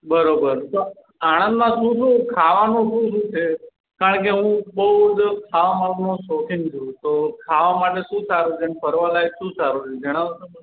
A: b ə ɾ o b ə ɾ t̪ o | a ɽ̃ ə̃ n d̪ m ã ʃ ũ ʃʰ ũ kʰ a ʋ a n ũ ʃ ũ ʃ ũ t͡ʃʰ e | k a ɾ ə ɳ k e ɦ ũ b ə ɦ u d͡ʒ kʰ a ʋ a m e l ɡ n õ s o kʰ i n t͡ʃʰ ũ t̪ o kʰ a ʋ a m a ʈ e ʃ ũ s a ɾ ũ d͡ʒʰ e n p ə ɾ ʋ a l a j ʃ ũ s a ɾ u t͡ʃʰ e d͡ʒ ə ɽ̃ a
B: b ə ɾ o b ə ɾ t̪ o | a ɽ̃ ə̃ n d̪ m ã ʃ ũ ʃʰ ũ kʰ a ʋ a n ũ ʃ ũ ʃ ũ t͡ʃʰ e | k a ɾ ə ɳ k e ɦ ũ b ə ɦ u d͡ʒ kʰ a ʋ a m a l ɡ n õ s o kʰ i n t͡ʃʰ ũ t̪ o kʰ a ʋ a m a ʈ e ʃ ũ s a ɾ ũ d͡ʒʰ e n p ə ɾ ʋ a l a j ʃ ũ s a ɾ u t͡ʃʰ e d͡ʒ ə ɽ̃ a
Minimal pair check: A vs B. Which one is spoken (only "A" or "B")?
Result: B